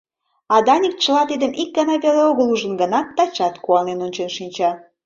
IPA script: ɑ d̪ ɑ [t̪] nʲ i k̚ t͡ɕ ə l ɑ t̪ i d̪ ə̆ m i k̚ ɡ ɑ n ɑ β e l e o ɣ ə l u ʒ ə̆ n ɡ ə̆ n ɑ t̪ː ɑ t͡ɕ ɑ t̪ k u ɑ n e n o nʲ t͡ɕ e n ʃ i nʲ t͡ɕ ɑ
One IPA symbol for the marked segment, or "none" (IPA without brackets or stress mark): none